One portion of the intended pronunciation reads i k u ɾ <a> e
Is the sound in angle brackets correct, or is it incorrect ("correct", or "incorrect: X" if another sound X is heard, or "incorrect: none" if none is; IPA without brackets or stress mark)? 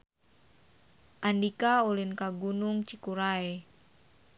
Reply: correct